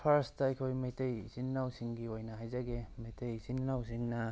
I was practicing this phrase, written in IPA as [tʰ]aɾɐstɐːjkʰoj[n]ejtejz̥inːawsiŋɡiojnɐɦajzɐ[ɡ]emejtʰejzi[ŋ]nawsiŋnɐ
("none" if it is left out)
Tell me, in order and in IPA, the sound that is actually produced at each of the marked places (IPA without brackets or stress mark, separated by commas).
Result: pʰ, m, ɡ, n